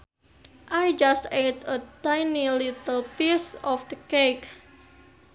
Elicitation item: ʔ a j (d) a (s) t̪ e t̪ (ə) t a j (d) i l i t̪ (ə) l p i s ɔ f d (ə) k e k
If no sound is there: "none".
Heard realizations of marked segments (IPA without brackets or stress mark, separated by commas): d͡ʒ, s, ə, n, ə, ə